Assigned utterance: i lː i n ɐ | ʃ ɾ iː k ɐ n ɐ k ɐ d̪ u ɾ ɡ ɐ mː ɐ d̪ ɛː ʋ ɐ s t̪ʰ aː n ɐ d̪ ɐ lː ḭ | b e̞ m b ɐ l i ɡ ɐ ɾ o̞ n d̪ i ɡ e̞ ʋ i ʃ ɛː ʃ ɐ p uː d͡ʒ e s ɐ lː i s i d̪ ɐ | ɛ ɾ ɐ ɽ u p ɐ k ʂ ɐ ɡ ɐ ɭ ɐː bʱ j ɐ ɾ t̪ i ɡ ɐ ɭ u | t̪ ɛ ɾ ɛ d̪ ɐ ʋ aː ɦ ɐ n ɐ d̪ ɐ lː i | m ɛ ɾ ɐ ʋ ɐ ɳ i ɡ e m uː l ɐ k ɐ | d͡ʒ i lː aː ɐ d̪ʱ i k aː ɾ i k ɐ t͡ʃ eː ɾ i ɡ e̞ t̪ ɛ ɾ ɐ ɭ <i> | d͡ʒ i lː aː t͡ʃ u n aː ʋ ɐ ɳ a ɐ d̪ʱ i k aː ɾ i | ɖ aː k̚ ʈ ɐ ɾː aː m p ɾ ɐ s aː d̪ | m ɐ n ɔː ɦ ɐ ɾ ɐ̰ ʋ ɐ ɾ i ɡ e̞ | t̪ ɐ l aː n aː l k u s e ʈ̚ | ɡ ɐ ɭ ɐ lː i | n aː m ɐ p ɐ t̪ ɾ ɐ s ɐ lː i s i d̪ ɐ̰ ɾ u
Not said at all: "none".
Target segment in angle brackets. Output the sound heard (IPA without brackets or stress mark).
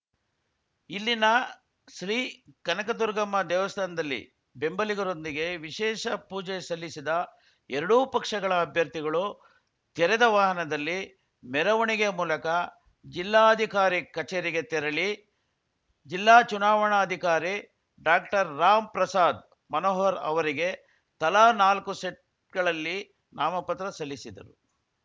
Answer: i